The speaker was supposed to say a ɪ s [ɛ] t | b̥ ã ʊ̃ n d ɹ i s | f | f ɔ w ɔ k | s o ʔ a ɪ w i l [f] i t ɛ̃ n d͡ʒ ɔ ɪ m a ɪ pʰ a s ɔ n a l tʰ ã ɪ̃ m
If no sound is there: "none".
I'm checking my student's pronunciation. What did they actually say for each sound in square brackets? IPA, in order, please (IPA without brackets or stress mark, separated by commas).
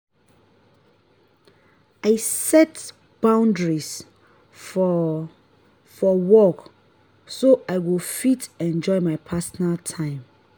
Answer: ɛ, f